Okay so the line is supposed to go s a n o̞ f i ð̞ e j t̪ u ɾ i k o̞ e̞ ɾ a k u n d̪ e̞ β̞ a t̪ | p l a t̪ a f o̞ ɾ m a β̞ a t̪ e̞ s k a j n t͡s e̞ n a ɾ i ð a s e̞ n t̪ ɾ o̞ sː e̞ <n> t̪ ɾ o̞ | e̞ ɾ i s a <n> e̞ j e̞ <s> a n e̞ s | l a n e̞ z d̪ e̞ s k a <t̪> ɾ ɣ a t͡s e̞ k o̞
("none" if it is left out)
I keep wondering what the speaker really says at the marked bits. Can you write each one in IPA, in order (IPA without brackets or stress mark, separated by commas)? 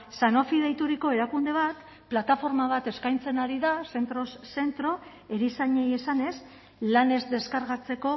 n, ɲ, s, none